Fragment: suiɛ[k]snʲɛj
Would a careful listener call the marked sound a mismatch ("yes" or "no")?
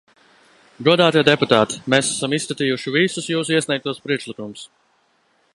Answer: yes